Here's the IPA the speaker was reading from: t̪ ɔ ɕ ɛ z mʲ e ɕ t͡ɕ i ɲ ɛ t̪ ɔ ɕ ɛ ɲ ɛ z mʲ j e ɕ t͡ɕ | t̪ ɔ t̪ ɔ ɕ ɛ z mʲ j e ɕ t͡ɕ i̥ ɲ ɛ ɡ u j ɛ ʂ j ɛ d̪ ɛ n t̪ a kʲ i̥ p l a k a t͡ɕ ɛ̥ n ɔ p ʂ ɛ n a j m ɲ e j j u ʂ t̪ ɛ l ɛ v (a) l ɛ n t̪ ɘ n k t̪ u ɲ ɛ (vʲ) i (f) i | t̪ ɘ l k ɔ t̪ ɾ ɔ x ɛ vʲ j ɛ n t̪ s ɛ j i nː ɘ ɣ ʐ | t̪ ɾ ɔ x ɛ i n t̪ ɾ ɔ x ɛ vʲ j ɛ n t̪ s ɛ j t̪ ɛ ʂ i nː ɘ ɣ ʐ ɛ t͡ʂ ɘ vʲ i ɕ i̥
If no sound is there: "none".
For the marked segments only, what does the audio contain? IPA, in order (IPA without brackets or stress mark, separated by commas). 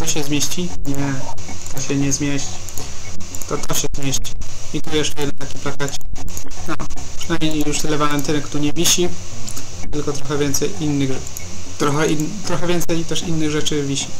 a, vʲ, ɕ